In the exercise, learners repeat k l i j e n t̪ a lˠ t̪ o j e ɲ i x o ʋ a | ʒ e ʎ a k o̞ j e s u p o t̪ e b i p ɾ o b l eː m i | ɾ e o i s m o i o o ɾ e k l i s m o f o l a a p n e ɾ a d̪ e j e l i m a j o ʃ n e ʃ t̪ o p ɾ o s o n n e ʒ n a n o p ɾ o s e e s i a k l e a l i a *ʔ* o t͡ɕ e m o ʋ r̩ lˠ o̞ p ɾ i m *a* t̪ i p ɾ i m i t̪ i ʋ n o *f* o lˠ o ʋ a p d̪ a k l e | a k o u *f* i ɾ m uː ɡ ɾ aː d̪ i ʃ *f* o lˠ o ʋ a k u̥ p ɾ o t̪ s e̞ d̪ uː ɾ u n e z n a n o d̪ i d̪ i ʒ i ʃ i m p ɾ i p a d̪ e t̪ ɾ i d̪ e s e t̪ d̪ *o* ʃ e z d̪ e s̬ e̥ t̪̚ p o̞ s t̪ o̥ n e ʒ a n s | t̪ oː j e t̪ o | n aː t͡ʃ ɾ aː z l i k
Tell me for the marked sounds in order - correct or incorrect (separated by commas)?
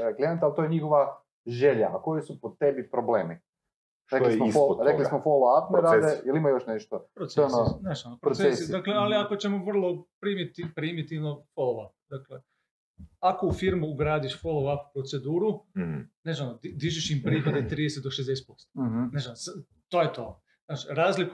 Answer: incorrect, incorrect, correct, correct, correct, correct